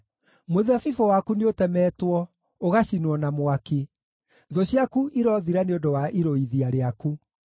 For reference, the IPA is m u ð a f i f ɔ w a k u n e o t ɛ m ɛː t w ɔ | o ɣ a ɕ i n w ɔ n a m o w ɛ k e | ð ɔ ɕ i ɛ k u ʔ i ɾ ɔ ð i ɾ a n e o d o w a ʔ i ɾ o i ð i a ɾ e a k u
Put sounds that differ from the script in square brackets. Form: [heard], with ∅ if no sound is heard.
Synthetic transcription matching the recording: m [o] ð a f i f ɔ w a k u n e o t ɛ m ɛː t w ɔ | o ɣ a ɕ i n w ɔ n a m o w [a] k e | ð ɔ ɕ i [a] k u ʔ i ɾ ɔ ð i ɾ a n e o d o w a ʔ i ɾ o i ð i a ɾ e a k u